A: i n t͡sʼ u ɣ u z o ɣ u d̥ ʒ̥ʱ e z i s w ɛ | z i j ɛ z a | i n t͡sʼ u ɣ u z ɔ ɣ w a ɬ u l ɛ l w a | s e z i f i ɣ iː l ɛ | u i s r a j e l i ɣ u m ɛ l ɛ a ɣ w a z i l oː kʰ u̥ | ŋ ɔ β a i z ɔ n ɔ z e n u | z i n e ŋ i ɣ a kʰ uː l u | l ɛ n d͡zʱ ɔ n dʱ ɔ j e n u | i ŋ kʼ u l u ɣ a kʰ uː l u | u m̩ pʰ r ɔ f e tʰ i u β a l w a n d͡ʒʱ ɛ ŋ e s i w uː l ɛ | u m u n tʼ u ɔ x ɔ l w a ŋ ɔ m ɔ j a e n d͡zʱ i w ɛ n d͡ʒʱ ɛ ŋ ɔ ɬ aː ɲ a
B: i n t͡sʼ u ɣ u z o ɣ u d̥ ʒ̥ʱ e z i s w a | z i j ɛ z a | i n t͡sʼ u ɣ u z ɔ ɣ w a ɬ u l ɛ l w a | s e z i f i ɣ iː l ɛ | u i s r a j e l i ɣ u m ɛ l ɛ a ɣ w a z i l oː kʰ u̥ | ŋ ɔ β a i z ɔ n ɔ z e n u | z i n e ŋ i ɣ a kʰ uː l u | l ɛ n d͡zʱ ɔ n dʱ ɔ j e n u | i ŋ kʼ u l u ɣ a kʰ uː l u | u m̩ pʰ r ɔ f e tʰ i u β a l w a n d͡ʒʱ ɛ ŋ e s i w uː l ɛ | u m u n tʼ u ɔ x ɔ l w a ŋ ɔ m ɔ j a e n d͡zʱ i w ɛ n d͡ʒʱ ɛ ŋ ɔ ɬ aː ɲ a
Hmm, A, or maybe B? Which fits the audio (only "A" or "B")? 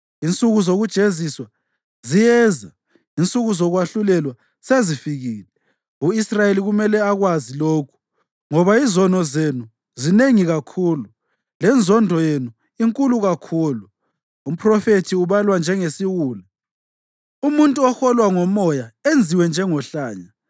B